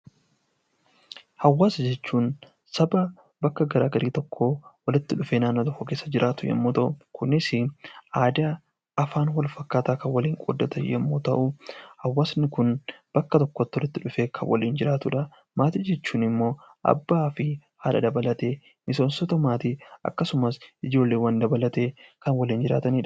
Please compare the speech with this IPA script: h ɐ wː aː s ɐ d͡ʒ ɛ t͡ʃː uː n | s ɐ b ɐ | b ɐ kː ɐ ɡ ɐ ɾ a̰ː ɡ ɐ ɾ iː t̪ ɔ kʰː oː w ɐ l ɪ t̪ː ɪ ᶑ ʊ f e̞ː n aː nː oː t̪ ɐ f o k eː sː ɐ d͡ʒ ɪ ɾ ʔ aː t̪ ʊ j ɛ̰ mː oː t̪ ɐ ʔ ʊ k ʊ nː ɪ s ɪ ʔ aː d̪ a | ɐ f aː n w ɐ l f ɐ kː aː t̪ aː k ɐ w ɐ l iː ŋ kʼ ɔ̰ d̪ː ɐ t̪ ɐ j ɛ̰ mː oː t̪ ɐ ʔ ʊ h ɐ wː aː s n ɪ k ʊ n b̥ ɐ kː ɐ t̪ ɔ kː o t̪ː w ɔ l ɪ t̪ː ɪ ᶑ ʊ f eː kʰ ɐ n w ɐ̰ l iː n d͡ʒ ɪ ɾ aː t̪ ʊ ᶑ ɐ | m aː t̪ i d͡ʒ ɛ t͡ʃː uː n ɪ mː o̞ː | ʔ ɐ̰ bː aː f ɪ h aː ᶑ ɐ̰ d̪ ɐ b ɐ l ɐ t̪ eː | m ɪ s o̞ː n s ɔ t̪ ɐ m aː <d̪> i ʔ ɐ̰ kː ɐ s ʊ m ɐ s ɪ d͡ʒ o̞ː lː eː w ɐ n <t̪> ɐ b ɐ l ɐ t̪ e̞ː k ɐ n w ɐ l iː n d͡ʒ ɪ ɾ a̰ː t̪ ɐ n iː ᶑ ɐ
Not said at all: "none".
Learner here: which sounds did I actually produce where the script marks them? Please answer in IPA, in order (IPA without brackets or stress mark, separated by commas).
t̪, d̪